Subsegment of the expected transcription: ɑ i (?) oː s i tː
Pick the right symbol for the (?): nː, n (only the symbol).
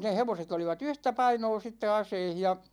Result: n